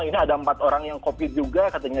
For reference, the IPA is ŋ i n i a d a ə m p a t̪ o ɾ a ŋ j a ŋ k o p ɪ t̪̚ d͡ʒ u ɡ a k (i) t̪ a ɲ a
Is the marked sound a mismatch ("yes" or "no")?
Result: yes